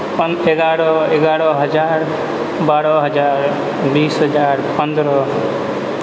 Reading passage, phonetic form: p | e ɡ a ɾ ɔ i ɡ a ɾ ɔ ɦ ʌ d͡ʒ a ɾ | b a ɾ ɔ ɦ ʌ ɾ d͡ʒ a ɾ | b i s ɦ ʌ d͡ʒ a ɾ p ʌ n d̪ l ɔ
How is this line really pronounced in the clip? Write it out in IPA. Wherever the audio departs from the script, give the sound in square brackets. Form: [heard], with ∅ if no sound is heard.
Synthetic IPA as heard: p | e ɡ a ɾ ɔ [e] ɡ a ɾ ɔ ɦ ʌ d͡ʒ a ɾ | b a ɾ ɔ ɦ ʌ [∅] d͡ʒ a ɾ | b i s ɦ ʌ d͡ʒ a ɾ p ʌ n d̪ [ɾ] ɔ